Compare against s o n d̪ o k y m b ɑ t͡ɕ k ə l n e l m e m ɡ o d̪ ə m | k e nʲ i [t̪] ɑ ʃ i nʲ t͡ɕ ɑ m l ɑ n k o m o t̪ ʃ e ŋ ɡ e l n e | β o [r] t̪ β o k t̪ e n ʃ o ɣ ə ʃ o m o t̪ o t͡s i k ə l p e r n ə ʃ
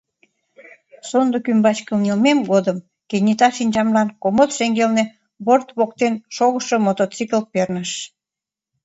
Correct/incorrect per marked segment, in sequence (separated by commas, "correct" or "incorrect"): correct, correct